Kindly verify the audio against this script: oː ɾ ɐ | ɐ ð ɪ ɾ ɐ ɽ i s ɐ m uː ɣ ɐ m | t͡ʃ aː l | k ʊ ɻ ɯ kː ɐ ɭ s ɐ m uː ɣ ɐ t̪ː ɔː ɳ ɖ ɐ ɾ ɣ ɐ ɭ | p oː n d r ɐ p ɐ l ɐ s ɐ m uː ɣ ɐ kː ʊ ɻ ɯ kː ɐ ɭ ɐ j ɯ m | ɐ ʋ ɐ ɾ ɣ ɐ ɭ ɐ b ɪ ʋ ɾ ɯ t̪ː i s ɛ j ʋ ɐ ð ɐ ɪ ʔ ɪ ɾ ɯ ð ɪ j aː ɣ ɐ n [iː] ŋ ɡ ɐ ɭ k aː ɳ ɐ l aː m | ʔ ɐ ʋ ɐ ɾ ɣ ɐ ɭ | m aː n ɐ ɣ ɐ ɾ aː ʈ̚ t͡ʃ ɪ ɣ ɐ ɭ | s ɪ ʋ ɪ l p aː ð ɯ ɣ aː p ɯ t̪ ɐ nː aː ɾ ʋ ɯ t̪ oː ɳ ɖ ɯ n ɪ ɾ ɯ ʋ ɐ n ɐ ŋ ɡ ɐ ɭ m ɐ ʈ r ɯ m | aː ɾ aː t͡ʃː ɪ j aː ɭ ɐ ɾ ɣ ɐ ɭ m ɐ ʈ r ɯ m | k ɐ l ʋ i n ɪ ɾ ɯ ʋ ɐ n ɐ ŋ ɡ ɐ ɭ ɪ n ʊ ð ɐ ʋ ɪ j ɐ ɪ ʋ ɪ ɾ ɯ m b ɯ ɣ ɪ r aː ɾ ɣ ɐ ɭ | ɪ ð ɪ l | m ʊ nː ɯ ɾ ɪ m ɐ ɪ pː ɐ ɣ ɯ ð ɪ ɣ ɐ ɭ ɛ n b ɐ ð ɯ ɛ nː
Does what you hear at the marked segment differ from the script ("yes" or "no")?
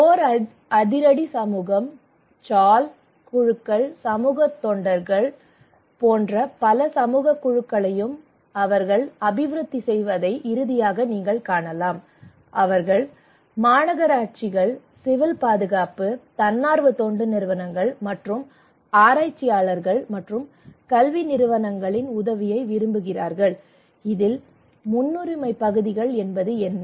no